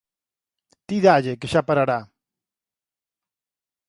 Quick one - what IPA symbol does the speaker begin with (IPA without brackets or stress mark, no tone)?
t̪